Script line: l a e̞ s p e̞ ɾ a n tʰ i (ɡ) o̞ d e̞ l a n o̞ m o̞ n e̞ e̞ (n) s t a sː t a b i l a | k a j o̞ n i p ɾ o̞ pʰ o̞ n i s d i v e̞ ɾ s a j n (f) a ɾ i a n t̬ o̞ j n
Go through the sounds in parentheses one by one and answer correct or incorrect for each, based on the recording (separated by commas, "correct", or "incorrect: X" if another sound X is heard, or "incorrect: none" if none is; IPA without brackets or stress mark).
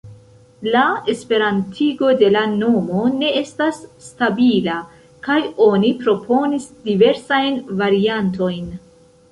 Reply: correct, incorrect: none, incorrect: v